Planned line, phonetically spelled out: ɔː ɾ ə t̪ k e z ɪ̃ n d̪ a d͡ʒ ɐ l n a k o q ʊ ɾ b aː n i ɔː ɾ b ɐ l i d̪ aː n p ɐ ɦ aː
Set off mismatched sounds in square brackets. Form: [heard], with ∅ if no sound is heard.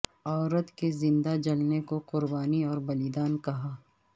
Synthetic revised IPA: ɔː ɾ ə t̪ k e z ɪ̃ n d̪ a d͡ʒ ɐ l n [e] k o q ʊ ɾ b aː n i ɔː ɾ b ɐ l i d̪ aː n [k] ɐ ɦ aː